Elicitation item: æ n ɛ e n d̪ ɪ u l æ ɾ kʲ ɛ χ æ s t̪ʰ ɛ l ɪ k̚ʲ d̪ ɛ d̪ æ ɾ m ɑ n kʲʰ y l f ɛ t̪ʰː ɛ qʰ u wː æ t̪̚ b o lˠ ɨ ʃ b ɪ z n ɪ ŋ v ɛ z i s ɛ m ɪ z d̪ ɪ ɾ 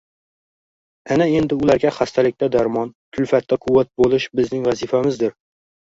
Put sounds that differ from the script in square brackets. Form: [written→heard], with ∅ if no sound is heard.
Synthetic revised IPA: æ n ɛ e n d̪ ɪ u l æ ɾ [kʲ→ɡʲ] ɛ χ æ s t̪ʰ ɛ l ɪ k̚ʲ [d̪→t̪] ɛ d̪ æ ɾ m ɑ n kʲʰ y l f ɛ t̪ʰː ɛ qʰ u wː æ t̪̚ b o lˠ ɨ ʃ b ɪ z n ɪ ŋ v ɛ z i [s→f] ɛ m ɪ z d̪ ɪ ɾ